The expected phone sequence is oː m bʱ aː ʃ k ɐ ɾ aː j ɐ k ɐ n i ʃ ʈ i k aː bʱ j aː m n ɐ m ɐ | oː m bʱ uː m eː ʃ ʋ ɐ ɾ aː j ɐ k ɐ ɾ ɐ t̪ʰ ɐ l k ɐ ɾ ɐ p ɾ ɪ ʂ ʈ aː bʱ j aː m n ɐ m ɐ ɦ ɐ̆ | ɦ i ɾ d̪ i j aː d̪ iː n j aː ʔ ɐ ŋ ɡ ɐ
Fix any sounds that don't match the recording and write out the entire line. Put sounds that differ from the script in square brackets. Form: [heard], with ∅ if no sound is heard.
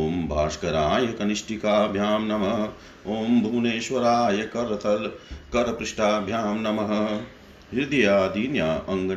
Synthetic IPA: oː m bʱ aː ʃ k ɐ ɾ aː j ɐ k ɐ n i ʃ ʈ i k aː bʱ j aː m n ɐ m ɐ | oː m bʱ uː [n] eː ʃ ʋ ɐ ɾ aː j ɐ k ɐ ɾ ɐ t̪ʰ ɐ l k ɐ ɾ ɐ p ɾ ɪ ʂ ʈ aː bʱ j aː m n ɐ m ɐ ɦ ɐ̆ | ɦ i ɾ d̪ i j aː d̪ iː n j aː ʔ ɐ ŋ ɡ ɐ